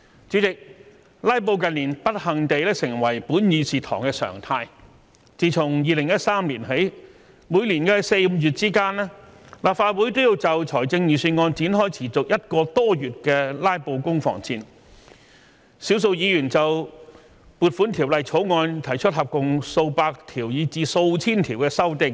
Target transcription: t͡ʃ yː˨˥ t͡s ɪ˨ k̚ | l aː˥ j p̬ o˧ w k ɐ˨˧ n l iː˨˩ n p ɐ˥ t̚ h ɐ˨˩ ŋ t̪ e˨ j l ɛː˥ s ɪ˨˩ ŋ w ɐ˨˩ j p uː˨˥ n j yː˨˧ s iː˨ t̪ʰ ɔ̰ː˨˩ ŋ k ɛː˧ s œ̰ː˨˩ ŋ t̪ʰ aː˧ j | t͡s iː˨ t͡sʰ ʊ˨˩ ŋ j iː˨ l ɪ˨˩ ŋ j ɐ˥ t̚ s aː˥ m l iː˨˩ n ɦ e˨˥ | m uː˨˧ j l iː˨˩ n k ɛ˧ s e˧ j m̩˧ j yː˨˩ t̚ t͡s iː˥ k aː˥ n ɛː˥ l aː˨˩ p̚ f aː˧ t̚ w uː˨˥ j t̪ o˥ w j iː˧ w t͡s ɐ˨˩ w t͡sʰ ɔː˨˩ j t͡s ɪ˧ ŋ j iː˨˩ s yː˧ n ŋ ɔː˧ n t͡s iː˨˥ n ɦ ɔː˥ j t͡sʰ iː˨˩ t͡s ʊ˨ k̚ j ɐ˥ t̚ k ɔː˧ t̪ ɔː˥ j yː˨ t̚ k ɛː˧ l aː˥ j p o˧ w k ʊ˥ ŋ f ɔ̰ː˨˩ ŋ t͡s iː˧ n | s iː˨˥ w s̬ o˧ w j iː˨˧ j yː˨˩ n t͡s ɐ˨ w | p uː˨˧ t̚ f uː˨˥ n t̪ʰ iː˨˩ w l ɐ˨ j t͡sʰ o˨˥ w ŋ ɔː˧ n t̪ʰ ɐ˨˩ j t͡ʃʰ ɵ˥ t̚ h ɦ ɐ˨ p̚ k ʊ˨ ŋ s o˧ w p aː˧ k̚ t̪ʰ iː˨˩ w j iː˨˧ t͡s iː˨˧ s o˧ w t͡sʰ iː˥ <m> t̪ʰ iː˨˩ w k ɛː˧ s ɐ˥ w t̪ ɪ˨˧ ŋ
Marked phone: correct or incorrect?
incorrect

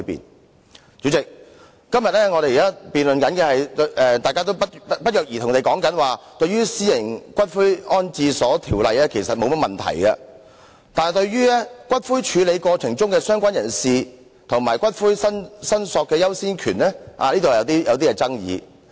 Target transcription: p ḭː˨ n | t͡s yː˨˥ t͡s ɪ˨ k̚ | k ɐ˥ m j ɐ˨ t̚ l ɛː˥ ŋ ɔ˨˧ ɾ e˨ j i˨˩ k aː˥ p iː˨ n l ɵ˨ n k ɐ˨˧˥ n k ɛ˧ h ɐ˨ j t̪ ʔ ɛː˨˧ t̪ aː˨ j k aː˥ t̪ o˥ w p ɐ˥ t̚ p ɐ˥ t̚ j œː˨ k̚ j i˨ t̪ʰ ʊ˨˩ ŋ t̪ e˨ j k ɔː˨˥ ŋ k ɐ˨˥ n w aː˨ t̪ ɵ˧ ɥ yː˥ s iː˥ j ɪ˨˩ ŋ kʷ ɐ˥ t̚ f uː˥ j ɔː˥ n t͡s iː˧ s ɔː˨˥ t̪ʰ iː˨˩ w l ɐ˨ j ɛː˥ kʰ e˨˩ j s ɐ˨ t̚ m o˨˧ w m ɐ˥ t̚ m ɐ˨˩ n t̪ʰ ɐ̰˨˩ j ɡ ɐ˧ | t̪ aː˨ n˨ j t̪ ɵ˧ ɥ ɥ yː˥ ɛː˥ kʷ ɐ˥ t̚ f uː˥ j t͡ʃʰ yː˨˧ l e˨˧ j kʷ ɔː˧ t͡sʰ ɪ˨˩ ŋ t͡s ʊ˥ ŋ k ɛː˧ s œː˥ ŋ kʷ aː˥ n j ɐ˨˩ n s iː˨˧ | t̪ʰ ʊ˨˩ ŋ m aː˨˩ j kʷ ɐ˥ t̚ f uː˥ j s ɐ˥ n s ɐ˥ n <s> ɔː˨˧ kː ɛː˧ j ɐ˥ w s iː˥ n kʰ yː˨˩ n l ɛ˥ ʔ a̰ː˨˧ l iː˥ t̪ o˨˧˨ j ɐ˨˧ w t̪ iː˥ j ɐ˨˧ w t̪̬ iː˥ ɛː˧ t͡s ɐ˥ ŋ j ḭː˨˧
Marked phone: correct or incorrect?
correct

